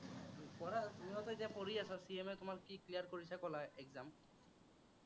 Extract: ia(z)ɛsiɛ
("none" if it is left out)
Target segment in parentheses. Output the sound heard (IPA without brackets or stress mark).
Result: s